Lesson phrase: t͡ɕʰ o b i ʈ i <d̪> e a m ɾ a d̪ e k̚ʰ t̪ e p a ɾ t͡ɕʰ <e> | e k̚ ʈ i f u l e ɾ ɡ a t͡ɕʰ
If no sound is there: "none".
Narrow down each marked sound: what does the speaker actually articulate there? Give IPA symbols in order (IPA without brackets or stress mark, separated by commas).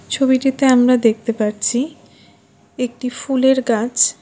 t̪, i